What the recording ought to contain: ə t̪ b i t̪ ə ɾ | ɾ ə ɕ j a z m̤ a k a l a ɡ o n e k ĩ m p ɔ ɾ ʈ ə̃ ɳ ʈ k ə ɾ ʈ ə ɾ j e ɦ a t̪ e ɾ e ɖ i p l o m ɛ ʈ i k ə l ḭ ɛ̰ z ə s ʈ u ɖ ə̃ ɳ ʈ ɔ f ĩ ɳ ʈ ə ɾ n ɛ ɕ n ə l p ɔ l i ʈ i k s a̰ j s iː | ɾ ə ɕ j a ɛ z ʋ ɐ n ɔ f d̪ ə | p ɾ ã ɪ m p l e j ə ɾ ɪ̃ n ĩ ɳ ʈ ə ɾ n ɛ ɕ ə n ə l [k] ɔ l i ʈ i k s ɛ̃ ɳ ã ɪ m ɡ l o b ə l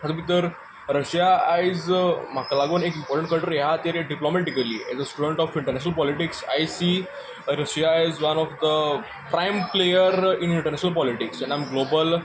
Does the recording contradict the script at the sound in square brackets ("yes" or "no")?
yes